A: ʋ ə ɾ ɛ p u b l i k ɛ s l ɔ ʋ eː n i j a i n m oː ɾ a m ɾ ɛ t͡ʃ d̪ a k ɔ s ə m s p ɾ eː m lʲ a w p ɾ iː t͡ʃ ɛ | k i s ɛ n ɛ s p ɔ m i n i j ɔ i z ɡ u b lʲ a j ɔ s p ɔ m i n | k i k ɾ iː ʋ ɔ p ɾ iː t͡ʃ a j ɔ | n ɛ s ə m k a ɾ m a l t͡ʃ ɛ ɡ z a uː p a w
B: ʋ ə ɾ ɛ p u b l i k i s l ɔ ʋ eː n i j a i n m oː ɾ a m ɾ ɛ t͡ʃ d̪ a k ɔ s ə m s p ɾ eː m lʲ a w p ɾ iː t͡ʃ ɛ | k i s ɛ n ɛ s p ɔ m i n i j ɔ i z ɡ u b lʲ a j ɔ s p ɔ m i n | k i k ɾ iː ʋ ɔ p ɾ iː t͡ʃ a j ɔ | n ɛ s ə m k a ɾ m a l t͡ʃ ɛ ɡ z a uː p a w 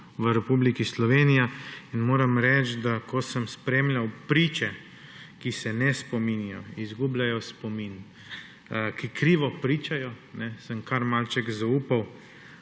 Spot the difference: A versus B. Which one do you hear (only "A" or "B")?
B